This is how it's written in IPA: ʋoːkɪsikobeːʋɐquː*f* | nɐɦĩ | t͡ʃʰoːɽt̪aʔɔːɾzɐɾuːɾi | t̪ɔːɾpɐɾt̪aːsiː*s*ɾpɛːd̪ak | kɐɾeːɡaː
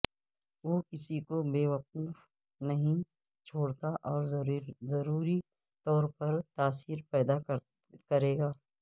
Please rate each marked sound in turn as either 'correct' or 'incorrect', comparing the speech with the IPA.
correct, incorrect: none

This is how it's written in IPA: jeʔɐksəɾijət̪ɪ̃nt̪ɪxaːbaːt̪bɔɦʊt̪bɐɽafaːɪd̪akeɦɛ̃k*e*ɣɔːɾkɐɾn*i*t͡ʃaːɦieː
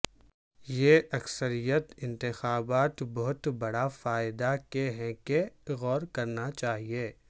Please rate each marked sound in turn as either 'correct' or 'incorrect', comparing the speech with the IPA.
correct, incorrect: a

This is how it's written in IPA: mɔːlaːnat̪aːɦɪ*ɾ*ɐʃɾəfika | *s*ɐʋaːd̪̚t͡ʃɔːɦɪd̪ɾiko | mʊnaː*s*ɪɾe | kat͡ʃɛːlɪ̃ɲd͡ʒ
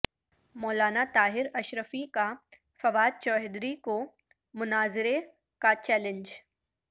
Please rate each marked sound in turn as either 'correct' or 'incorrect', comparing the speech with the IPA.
correct, incorrect: f, incorrect: z

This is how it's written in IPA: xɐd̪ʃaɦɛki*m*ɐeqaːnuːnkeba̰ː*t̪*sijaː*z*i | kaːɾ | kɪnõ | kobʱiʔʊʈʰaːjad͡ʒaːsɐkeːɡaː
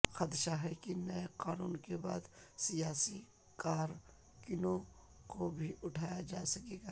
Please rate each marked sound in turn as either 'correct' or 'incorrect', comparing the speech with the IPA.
incorrect: n, incorrect: d̪, incorrect: s

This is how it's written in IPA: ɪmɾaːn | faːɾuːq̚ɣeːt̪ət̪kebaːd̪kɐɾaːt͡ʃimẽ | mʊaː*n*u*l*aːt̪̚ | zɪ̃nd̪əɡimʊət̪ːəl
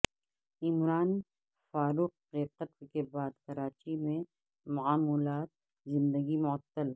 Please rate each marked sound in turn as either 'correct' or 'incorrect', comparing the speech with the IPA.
incorrect: m, correct

